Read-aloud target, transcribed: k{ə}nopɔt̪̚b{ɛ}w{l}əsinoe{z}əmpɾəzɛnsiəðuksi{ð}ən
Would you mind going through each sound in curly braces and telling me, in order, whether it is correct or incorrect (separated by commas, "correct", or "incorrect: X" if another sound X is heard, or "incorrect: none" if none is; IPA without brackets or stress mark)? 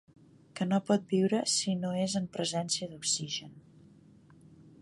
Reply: correct, incorrect: i, incorrect: ɾ, correct, incorrect: ʒ